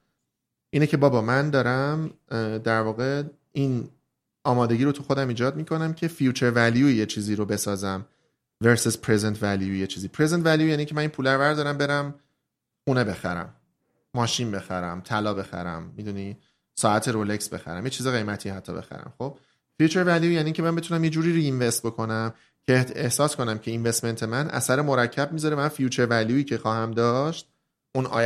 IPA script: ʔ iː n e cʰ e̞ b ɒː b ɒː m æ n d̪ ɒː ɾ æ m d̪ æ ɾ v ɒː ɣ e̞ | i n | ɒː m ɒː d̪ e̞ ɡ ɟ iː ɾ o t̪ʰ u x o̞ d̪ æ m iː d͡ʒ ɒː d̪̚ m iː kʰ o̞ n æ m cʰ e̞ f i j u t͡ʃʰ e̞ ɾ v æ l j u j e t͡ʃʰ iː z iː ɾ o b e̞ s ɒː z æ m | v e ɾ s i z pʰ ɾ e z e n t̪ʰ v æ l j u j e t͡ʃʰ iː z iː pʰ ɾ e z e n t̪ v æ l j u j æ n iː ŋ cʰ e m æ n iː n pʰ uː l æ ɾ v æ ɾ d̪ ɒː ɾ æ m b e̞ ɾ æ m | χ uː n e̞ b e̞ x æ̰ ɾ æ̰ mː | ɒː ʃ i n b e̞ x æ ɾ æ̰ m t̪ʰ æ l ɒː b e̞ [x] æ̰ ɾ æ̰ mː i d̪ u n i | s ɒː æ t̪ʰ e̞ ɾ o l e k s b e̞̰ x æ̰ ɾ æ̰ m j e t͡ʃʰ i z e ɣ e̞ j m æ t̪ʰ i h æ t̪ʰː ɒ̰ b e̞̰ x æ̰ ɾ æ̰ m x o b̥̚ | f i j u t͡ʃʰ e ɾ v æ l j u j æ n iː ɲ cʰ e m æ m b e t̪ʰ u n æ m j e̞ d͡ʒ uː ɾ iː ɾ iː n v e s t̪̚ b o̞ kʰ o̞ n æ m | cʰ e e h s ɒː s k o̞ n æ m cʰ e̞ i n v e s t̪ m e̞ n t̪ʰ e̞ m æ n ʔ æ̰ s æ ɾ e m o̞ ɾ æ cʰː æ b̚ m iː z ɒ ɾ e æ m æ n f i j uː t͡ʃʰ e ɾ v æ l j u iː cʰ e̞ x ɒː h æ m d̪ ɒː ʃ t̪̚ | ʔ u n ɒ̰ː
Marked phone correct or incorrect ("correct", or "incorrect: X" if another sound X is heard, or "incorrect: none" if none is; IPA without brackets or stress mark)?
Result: correct